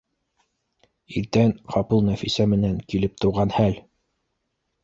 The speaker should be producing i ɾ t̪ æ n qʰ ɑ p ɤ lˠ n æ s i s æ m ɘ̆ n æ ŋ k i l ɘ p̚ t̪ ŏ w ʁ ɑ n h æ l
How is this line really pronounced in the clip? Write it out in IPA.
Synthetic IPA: i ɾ t̪ æ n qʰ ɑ p ɤ lˠ n æ f i s æ m ɘ̆ n æ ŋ k i l ɘ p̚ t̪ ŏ w ʁ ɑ n h æ l